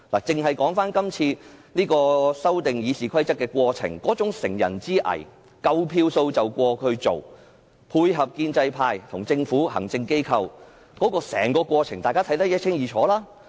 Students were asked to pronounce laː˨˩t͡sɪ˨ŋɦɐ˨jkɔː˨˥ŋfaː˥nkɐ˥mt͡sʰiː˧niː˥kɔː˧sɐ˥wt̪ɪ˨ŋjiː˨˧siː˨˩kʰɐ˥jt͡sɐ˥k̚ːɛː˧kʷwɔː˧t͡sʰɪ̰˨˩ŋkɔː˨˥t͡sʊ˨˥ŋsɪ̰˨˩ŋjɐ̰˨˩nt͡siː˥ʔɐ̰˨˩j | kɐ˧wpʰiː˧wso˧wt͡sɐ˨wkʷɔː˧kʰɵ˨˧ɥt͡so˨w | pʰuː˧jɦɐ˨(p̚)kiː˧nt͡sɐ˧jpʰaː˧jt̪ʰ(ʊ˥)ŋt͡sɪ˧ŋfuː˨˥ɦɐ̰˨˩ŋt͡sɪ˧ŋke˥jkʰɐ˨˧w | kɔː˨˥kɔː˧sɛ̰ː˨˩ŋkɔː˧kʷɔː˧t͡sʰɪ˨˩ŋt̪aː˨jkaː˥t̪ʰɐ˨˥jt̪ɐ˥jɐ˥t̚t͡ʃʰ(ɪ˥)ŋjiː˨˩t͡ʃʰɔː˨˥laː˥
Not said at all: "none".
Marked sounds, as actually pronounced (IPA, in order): p̚, ʊ˨˩, ɪ˥

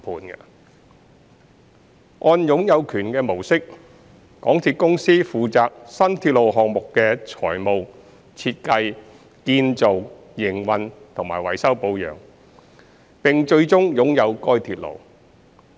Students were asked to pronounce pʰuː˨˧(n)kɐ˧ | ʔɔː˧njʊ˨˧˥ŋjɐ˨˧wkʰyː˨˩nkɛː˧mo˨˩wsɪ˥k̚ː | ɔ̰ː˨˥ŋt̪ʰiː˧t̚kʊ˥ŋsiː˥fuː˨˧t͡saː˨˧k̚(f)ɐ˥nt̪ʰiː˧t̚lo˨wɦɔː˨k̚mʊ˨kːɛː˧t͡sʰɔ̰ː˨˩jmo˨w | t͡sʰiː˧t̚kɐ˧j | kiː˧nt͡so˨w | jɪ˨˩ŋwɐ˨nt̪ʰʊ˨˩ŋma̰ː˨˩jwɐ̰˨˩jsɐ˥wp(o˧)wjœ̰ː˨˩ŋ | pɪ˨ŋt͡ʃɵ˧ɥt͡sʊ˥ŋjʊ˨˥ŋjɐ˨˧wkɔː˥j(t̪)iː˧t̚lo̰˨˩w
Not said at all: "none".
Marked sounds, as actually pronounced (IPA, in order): n, s, o˧, t̪ʰ

